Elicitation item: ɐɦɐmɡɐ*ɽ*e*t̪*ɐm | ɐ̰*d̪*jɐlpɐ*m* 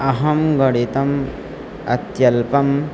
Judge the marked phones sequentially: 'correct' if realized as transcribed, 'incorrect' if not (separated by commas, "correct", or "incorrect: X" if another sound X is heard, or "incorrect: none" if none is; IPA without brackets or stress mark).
correct, correct, incorrect: t̪, correct